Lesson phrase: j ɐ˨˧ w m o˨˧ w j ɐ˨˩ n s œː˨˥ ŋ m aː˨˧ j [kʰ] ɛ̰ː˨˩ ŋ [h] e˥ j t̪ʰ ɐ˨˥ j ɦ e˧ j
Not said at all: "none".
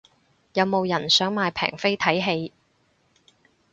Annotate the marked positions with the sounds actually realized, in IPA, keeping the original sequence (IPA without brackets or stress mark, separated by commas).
pʰ, f